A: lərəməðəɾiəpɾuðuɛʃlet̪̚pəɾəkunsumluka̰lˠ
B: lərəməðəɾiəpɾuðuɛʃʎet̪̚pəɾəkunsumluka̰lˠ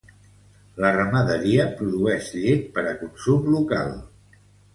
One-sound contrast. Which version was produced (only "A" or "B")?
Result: B